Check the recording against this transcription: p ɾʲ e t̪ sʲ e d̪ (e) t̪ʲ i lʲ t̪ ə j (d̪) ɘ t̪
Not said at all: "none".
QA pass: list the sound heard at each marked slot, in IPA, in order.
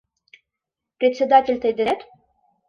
a, d̪

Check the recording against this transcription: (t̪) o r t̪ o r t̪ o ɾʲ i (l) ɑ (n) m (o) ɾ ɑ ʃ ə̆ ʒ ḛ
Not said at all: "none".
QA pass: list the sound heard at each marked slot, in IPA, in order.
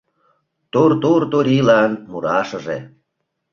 t̪, l, n, u

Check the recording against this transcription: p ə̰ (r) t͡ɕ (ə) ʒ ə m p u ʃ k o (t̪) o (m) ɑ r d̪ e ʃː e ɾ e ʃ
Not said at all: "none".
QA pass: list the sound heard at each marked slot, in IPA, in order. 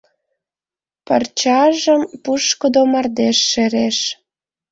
r, ɑ, d̪, m

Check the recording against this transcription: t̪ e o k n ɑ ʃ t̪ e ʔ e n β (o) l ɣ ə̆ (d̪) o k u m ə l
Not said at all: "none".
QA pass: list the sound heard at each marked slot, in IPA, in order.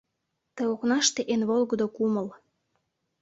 o, d̪

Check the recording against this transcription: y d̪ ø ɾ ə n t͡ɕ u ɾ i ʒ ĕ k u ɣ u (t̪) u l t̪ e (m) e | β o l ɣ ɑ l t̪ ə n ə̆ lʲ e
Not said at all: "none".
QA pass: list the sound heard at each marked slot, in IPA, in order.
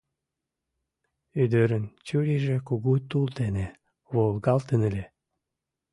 t̪, n

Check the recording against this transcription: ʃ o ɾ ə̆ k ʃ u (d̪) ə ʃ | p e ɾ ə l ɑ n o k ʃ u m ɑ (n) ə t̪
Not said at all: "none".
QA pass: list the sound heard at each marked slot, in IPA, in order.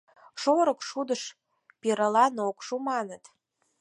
d̪, n

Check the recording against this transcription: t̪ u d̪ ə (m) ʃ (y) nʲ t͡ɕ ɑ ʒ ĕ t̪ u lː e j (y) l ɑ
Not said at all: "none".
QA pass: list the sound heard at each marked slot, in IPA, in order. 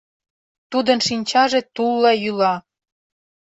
n, i, y

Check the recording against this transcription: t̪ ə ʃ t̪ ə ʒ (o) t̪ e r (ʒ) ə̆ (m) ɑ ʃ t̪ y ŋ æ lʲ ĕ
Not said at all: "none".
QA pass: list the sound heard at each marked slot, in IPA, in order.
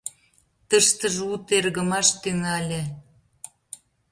u, ɣ, m

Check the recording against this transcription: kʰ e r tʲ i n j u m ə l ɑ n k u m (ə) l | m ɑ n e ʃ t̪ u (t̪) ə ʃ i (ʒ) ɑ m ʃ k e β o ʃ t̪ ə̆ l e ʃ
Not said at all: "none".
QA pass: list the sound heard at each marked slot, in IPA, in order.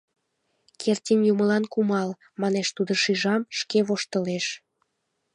ɑ, d̪, ʒ

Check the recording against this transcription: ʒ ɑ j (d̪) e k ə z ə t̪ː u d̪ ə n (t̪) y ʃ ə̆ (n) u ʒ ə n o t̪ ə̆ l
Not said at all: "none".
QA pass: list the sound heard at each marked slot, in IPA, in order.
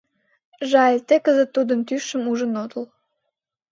t̪, t̪, m

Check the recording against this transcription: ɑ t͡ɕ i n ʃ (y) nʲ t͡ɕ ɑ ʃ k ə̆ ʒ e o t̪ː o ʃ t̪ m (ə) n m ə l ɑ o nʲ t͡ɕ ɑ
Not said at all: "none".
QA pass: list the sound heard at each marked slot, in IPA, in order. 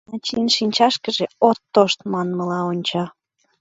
i, ɑ

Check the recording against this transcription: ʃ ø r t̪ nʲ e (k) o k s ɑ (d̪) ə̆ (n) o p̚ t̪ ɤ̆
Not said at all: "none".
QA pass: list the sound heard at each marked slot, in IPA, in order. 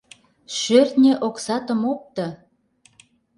ʔ, t̪, m

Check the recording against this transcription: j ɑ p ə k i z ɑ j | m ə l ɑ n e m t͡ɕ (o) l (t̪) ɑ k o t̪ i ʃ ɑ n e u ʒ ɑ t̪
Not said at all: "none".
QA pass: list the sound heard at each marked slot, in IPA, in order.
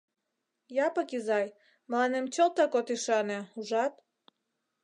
o, t̪

